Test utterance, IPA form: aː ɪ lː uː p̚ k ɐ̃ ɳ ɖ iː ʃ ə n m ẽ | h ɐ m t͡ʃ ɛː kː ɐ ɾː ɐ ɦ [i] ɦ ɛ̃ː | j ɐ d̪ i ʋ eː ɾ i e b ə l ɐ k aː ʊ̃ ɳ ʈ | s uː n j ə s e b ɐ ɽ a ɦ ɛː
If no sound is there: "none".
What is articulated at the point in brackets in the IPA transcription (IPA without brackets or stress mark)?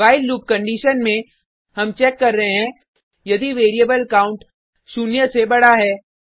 e